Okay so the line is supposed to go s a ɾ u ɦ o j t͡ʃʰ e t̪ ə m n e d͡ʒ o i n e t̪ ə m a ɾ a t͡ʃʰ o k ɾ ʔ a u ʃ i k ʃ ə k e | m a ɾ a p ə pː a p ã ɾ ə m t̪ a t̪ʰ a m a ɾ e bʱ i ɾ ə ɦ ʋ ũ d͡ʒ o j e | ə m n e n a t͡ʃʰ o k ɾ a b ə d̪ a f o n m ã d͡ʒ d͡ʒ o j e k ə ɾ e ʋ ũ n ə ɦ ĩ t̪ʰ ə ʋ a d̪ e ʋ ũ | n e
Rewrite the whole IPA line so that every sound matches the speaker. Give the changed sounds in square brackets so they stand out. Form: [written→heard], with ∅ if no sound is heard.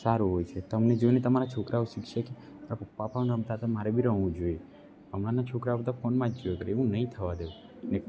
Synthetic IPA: s a ɾ u ɦ o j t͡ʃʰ e t̪ ə m n e d͡ʒ o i n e t̪ ə m a ɾ a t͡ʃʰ o k ɾ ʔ a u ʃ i k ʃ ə k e | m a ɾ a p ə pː a p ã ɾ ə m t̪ a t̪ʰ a m a ɾ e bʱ i ɾ ə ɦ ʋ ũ d͡ʒ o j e | ə m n [e→a] n a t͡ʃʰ o k ɾ a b ə d̪ a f o n m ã d͡ʒ d͡ʒ o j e k ə ɾ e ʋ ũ n ə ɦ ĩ t̪ʰ ə ʋ a d̪ e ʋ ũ | n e